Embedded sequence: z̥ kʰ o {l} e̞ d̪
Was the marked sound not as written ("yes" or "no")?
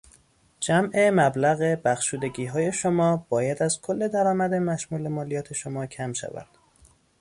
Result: yes